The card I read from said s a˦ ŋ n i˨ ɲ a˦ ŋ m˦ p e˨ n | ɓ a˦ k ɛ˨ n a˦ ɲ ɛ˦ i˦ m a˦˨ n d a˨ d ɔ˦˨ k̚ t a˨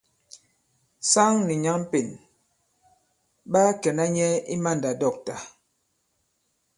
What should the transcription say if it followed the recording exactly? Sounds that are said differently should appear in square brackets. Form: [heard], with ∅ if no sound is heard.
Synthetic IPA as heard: s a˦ ŋ n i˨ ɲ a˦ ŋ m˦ p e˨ n | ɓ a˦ k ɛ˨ n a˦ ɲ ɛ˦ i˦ m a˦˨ n d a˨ d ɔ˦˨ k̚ t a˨